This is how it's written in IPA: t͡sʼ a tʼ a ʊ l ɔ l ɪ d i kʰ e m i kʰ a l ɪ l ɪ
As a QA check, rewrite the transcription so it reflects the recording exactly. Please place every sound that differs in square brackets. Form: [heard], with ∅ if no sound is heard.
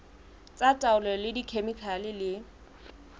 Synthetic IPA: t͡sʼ a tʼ a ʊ l ɔ l ɪ d i kʰ e m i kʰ a l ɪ l ɪ